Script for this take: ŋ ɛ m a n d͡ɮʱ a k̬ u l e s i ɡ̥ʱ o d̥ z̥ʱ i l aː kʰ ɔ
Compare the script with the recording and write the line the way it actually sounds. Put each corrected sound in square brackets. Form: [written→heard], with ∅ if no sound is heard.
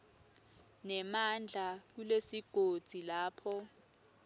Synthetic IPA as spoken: [ŋ→n] ɛ m a n d͡ɮʱ a k̬ u l e s i ɡ̥ʱ o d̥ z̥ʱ i l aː [kʰ→pʰ] ɔ